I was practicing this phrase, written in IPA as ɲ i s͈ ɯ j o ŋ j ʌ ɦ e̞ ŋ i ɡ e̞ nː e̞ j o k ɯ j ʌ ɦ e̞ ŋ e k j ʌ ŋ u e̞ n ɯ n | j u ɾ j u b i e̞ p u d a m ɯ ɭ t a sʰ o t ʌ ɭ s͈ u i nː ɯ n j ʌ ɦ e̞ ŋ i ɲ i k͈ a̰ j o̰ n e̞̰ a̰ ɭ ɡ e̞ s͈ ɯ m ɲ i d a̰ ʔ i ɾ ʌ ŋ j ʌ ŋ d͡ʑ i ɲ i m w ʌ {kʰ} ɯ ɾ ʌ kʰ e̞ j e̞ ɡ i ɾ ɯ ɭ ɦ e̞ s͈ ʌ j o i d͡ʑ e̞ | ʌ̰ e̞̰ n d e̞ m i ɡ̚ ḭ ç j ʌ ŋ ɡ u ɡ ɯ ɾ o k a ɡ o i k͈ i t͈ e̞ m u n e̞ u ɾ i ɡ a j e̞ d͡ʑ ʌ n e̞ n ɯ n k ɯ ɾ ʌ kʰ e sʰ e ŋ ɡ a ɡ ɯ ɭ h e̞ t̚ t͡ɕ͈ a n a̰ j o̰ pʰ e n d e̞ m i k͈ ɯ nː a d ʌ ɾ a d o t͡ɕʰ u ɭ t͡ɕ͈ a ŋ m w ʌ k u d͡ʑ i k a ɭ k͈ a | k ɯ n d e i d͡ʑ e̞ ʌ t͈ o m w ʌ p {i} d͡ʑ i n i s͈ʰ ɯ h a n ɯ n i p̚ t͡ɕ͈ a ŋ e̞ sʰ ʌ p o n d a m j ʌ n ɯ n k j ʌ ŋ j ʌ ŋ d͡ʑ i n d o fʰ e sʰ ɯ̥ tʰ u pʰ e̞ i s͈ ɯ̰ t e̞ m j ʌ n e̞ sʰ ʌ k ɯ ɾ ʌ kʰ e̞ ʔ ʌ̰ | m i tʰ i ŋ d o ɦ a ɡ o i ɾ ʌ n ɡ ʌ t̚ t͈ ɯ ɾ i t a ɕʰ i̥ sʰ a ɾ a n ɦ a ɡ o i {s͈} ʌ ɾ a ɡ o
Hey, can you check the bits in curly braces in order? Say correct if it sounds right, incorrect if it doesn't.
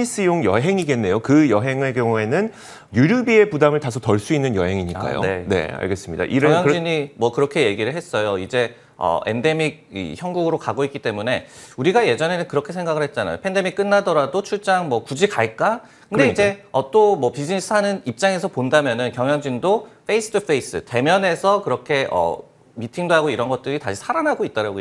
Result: incorrect: k, correct, incorrect: t͈

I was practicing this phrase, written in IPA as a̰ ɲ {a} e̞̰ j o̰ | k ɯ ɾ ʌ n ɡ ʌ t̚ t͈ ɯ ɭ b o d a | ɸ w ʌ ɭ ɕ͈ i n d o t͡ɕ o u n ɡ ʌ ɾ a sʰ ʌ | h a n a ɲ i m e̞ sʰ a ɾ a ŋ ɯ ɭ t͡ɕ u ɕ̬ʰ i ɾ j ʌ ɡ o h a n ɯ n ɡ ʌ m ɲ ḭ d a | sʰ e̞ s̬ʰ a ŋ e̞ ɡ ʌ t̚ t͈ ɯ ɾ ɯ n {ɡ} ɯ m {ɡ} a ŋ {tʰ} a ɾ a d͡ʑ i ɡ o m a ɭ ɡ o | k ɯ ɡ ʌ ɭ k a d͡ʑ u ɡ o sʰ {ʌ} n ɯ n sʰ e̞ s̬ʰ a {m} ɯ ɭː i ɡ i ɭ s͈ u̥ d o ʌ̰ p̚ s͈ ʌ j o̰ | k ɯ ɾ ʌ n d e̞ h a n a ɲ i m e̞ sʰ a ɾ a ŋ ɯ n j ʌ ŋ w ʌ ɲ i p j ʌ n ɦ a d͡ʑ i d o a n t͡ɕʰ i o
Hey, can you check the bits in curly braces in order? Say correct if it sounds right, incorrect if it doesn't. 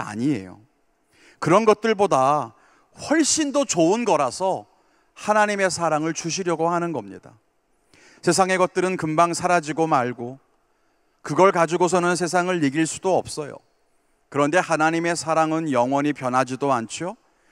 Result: incorrect: i, incorrect: k, incorrect: b, incorrect: sʰ, correct, incorrect: ŋ

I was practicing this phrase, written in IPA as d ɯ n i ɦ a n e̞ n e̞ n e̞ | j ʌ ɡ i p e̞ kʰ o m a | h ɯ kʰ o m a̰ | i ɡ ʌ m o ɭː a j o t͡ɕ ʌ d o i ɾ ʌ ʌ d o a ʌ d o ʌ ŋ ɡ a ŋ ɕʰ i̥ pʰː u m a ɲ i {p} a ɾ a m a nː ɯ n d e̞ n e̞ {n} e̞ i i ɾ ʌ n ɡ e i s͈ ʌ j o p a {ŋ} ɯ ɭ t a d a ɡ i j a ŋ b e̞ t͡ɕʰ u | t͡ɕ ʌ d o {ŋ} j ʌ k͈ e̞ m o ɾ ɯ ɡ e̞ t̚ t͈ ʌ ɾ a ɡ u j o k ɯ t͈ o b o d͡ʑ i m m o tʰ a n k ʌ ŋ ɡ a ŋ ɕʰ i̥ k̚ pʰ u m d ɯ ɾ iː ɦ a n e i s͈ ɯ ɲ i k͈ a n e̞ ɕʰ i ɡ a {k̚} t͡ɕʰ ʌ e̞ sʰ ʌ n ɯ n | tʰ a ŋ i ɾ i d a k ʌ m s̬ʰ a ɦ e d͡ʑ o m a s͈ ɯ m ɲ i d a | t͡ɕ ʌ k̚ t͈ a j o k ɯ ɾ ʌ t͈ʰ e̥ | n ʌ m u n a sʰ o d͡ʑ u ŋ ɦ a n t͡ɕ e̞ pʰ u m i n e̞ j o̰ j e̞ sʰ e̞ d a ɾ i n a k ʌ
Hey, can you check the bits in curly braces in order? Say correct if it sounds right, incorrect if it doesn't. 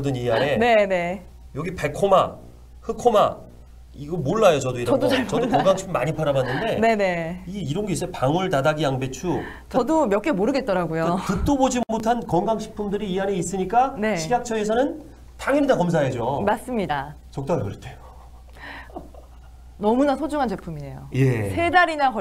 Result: incorrect: pʰ, correct, correct, incorrect: m, correct

